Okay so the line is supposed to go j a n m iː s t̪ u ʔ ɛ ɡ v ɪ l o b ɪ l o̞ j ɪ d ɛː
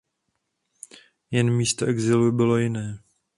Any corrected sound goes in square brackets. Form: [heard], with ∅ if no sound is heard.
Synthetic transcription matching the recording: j [ɛ] n m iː s t̪ [o] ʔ ɛ ɡ [z] ɪ l [u] b ɪ l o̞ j ɪ [n] ɛː